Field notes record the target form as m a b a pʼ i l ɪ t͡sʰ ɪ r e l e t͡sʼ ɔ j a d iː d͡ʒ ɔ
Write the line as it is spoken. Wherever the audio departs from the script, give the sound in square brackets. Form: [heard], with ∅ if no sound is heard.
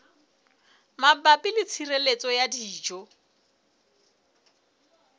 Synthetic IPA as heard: m a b a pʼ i l ɪ t͡sʰ [i] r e l e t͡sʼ ɔ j a d iː d͡ʒ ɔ